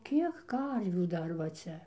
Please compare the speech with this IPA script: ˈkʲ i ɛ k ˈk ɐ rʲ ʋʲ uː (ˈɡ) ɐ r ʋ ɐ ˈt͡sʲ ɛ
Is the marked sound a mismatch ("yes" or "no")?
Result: yes